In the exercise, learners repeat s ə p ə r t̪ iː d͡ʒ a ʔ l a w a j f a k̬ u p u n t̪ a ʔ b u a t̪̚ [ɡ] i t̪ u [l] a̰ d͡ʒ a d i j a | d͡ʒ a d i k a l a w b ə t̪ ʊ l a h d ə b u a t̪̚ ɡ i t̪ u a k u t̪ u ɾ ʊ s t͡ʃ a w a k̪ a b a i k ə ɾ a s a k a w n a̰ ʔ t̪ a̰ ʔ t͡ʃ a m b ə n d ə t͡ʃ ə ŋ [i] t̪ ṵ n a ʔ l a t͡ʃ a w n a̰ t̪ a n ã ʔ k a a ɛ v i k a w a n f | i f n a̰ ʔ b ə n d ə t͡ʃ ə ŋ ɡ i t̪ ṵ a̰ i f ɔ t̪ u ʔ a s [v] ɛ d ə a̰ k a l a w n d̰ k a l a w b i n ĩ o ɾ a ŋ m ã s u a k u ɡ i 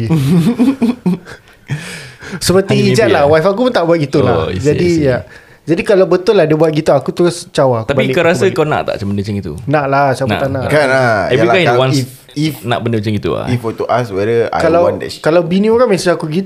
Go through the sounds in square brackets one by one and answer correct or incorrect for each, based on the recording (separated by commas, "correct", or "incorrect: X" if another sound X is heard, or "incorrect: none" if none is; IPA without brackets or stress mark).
correct, correct, correct, incorrect: w